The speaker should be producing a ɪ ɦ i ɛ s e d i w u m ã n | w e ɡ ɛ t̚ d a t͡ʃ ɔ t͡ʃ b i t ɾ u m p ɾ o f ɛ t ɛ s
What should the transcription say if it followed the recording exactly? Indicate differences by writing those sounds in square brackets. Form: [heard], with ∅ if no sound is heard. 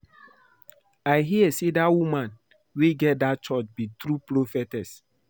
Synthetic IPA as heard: a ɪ ɦ i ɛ s e d [a] w u m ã n | w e ɡ ɛ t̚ d a t͡ʃ ɔ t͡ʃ b i t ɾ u [∅] p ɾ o f ɛ t ɛ s